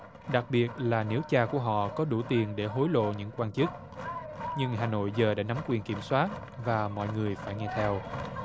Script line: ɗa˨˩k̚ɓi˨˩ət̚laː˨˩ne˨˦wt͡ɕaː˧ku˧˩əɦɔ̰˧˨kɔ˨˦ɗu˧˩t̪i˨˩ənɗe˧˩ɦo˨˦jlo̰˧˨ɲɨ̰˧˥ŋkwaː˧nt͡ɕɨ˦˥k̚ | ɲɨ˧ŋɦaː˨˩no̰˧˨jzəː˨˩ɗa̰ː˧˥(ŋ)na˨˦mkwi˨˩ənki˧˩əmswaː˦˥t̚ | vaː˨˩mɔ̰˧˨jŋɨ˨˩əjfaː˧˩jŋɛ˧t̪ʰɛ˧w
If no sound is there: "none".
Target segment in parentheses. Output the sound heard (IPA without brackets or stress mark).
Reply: none